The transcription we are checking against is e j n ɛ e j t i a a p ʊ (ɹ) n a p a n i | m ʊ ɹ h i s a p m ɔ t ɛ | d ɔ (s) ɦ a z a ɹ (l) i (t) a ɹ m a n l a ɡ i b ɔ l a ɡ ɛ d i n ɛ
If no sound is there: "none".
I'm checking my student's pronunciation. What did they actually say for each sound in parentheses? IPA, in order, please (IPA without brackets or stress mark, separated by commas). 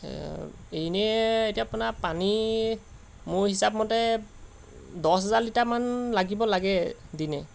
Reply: none, s, l, t